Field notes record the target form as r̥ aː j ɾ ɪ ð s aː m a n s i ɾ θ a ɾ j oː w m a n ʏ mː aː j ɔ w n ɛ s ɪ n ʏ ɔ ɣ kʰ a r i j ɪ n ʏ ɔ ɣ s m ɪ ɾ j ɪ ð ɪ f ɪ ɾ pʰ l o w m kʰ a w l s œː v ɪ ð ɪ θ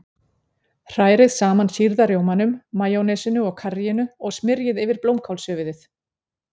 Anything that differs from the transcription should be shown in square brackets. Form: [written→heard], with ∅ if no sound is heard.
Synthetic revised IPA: r̥ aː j ɾ ɪ ð s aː m a n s i ɾ [θ→ð] a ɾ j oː w m a n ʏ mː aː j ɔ w n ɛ s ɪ n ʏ ɔ ɣ kʰ a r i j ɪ n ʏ ɔ ɣ s m ɪ ɾ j ɪ ð ɪ [f→v] ɪ ɾ [pʰ→p] l o w m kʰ a w l s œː v ɪ ð ɪ θ